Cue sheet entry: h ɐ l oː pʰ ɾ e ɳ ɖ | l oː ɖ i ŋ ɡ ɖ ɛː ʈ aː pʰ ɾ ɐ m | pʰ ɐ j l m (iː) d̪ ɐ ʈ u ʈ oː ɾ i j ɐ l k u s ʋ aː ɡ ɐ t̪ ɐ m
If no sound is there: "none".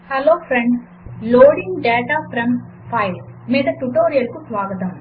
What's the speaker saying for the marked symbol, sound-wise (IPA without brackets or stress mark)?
iː